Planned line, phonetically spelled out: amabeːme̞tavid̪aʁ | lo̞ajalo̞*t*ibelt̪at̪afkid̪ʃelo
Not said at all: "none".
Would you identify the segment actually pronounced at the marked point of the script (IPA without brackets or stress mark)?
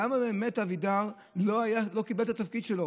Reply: k